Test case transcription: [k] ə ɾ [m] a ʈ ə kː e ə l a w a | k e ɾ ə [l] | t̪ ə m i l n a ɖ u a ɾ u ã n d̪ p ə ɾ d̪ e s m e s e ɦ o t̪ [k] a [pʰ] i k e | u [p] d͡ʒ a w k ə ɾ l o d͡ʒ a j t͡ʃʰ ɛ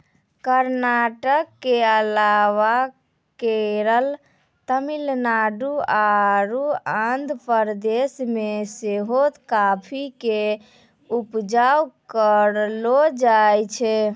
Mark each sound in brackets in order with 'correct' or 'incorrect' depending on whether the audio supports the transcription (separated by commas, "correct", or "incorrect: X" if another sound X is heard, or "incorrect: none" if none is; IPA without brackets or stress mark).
correct, incorrect: n, correct, correct, correct, correct